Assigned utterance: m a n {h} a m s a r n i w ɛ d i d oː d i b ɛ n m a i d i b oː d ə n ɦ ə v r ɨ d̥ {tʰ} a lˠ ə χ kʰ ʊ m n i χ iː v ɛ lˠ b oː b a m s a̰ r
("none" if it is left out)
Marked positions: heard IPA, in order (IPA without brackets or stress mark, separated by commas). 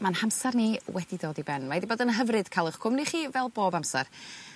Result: h, kʰ